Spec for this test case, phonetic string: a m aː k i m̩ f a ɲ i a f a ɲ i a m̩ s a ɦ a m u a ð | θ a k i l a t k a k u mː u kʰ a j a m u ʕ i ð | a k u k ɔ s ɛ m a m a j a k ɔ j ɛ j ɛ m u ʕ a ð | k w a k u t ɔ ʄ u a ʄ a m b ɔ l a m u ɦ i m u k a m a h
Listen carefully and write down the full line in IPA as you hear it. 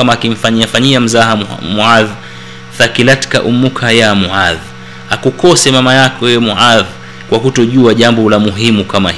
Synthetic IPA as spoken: a m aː k i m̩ f a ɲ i a f a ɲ i a m̩ z a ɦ a m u a ð | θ a k i l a t k a ʔ u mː u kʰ a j a m u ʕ a ð | a k u k ɔ s ɛ m a m a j a k ɔ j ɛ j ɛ m u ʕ a ð | k w a k u t ɔ ʄ u a ʄ a m b ɔ l a m u ɦ i m u k a m a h